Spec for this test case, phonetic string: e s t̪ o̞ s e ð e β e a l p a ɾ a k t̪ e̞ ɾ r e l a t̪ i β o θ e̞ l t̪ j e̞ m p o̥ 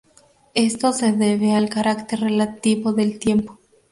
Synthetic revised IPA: e s t̪ o̞ s e ð e β e a l k a ɾ a k t̪ e̞ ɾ r e l a t̪ i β o ð e̞ l t̪ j e̞ m p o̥